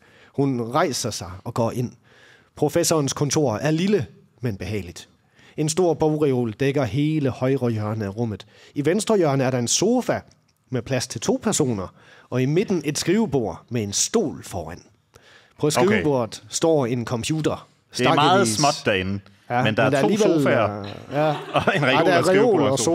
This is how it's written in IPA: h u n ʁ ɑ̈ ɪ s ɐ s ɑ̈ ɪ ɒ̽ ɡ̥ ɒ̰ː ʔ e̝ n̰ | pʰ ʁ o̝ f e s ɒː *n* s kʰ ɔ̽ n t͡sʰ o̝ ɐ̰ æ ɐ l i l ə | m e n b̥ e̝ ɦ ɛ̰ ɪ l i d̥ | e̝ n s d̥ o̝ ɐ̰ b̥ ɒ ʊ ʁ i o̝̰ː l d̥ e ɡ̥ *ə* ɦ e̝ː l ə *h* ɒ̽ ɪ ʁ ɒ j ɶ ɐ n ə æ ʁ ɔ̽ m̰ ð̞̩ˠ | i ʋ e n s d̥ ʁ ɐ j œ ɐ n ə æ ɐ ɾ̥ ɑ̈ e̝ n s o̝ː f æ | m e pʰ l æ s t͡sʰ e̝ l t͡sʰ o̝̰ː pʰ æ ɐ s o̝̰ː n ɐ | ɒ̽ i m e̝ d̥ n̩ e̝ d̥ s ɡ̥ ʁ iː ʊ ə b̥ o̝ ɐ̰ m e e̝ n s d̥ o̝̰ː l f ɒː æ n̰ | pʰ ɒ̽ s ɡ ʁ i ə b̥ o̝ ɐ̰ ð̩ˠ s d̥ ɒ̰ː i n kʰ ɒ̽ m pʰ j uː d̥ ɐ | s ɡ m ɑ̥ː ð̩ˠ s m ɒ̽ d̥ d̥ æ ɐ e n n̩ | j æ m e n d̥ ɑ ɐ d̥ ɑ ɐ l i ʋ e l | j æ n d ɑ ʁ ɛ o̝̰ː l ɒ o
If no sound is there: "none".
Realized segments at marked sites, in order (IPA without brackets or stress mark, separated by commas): n, ɐ, h